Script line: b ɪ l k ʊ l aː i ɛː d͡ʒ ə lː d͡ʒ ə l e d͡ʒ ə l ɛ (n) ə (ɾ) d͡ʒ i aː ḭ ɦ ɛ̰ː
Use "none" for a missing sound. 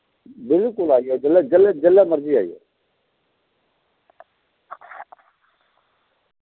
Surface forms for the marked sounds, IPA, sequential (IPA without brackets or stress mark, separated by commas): m, ɾ